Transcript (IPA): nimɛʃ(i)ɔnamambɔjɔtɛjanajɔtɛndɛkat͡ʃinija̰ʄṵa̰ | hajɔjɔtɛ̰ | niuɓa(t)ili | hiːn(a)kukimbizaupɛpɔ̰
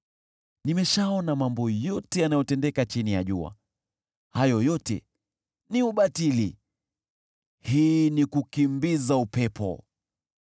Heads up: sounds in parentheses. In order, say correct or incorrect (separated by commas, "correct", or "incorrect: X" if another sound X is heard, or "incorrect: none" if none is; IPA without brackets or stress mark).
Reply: incorrect: a, correct, incorrect: i